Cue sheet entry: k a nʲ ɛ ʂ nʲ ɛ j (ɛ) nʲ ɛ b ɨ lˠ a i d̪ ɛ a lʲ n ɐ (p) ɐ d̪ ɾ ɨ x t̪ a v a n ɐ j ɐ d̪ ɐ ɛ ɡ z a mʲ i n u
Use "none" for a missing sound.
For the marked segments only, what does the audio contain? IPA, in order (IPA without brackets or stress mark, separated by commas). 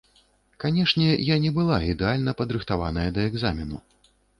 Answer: a, p